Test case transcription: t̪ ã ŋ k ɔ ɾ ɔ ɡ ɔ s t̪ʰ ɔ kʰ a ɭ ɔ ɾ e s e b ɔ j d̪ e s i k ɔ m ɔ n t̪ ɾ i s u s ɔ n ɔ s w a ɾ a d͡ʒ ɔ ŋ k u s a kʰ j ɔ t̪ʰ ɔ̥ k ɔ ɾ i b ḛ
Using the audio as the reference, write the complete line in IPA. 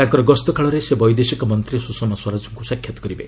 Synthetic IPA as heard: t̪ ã ŋ k ɔ ɾ ɔ ɡ ɔ s t̪ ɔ kʰ a ɭ ɔ ɾ e s e b ɔ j d̪ e s i k ɔ m ɔ n t̪ ɾ i s u s ɔ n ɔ s w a ɾ a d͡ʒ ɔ ŋ k u s a kʰ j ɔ t̪ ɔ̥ k ɔ ɾ i b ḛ